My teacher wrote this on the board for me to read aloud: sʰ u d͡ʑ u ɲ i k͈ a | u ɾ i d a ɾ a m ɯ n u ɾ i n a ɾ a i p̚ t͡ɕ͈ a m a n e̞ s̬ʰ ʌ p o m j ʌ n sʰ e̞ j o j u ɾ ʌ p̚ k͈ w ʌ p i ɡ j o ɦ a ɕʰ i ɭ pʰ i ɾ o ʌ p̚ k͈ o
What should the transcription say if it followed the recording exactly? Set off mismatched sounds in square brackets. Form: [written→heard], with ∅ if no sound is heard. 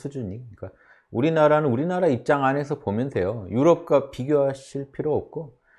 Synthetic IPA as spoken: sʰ u d͡ʑ u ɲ i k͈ a | u ɾ i [d→n] a ɾ a [m→n] ɯ n u ɾ i n a ɾ a i p̚ t͡ɕ͈ a [m→ŋ] a n e̞ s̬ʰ ʌ p o m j ʌ n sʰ e̞ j o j u ɾ ʌ p̚ k͈ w [ʌ→a] p i ɡ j o ɦ a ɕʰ i ɭ pʰ i ɾ o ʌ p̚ k͈ o